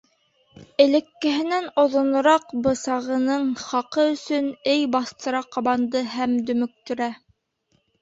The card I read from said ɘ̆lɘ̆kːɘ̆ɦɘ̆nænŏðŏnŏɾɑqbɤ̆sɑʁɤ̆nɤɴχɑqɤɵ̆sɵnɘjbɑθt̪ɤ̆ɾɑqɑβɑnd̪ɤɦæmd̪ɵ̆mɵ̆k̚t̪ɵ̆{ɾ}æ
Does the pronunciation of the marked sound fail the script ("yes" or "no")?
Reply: no